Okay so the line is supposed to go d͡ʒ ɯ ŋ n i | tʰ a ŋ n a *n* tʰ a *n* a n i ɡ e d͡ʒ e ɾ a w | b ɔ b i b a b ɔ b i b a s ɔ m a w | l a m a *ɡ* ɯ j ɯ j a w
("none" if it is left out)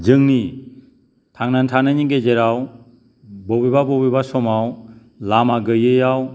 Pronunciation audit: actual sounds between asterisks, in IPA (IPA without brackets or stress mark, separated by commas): n, n, ɡ